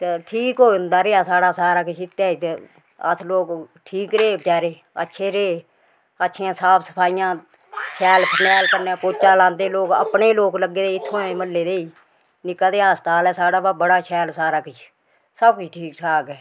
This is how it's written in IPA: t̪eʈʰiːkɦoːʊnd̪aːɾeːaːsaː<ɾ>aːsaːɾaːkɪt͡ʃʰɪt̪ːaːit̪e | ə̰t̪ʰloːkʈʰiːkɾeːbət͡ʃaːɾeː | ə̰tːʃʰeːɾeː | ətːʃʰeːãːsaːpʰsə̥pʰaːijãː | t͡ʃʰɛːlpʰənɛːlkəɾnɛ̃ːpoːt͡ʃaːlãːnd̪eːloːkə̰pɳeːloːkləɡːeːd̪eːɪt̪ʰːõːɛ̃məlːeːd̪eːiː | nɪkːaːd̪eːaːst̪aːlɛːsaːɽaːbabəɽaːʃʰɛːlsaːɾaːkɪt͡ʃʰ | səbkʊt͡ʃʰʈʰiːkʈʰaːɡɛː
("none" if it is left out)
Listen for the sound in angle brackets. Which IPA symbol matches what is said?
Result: ɽ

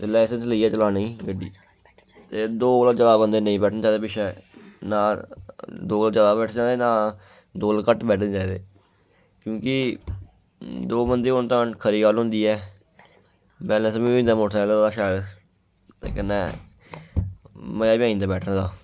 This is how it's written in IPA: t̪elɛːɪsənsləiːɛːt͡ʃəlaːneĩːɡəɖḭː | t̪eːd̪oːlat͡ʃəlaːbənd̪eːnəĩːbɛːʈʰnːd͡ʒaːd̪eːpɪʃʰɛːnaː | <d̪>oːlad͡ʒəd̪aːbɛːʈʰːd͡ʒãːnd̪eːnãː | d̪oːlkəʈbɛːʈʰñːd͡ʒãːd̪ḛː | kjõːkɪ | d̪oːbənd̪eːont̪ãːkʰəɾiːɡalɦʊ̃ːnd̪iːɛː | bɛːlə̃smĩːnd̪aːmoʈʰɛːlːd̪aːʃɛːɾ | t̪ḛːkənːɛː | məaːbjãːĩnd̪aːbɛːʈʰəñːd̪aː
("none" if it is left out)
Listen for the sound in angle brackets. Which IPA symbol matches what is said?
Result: d̪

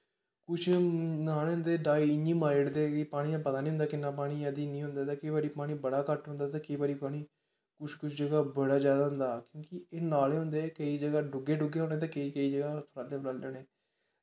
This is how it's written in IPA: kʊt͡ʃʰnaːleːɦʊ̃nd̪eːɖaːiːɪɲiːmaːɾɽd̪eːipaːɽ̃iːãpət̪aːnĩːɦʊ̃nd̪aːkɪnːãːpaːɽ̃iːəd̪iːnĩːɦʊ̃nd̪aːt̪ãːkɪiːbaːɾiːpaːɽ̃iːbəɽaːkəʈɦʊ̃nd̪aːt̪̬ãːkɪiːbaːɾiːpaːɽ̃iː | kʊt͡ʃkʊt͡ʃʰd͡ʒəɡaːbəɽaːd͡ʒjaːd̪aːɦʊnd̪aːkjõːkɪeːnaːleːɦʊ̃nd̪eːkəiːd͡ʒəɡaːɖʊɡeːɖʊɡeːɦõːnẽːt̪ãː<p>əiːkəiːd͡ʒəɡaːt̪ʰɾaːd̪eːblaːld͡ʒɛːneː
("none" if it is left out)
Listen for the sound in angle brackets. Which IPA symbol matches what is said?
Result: k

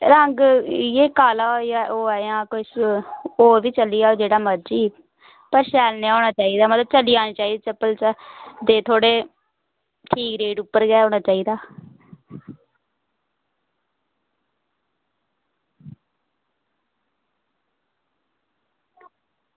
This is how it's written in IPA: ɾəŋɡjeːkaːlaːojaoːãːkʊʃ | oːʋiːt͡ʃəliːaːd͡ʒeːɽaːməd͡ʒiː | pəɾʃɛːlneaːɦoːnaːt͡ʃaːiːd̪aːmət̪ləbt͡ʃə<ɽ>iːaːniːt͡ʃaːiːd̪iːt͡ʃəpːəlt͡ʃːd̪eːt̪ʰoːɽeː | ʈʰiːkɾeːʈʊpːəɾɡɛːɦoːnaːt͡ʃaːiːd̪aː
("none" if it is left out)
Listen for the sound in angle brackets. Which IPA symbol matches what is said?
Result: l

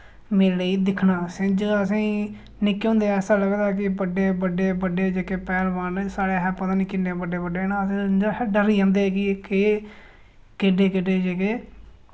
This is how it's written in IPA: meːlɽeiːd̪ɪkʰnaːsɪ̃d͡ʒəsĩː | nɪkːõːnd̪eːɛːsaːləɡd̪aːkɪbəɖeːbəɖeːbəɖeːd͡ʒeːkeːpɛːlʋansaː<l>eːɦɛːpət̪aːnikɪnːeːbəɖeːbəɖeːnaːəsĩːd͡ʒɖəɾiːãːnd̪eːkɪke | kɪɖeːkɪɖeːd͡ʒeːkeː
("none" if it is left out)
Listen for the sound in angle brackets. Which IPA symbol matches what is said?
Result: ɽ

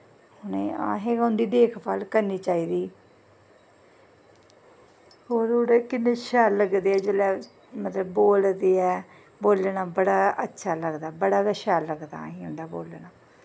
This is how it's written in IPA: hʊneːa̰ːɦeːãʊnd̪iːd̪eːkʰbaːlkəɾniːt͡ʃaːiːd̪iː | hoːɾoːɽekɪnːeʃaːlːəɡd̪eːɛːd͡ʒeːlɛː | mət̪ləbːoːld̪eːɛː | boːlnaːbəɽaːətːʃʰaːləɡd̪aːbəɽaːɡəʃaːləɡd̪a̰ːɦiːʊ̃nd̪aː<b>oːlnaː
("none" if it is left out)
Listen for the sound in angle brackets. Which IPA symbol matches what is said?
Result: b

